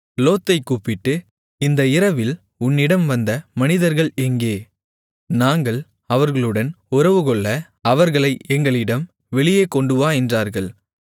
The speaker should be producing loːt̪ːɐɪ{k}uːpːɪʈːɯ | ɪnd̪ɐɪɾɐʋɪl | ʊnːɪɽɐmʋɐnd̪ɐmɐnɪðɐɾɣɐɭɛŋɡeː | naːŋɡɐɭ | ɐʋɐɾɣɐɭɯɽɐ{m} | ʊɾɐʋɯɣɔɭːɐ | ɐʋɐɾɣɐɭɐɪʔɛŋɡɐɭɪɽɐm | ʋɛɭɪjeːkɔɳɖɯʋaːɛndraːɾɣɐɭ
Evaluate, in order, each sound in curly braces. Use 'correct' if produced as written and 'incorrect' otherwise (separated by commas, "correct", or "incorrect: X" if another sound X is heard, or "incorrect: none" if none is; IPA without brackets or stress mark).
correct, incorrect: n